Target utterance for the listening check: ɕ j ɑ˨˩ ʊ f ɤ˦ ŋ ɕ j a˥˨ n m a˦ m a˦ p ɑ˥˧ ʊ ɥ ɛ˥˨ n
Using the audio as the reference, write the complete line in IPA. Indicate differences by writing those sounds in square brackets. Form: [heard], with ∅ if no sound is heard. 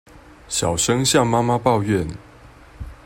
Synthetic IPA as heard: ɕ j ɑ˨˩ ʊ [ʂ] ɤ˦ ŋ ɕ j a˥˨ [ŋ] m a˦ m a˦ p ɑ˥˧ ʊ ɥ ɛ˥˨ n